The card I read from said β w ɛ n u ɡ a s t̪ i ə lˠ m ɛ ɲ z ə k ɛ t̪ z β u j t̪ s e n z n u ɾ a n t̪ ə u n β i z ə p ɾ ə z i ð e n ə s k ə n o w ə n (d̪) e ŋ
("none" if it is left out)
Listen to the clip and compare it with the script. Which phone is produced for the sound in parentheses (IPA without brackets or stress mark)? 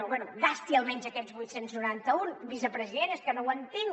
t̪